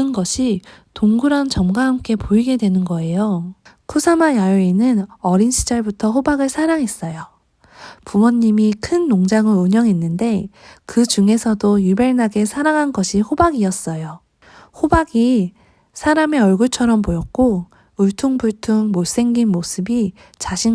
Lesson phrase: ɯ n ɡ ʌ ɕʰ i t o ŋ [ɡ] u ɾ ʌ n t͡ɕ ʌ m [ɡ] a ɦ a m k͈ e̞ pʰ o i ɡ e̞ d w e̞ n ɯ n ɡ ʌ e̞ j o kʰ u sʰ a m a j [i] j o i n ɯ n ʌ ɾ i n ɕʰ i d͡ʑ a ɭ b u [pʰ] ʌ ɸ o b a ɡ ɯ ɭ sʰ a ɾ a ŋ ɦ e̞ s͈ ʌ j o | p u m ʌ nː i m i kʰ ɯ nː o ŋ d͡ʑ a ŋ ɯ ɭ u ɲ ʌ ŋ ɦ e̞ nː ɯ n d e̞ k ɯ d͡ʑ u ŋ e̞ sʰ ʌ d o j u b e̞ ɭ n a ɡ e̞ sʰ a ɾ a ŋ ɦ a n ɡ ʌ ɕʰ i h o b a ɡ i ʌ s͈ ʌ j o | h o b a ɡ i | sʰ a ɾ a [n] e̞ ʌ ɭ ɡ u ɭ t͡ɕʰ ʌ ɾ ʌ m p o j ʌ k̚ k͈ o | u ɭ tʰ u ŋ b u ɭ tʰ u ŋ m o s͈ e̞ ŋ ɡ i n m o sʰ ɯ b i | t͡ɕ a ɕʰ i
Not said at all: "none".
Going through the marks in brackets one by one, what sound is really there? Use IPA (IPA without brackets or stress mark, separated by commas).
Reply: ɡ, ɡ, a, tʰ, m